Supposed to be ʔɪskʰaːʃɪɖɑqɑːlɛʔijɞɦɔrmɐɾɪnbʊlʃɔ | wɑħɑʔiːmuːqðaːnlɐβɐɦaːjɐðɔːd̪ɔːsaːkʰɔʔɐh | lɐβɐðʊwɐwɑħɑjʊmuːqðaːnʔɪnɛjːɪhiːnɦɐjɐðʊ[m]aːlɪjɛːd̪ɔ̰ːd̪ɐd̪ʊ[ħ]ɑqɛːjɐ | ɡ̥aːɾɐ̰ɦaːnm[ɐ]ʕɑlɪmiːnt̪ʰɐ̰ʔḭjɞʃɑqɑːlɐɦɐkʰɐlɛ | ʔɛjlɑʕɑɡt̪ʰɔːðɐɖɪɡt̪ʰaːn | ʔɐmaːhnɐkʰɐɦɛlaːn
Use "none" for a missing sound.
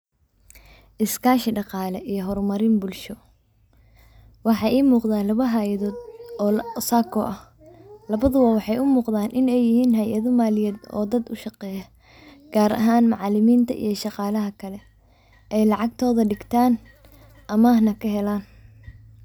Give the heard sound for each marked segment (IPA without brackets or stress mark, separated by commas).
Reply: m, ʃ, ɑ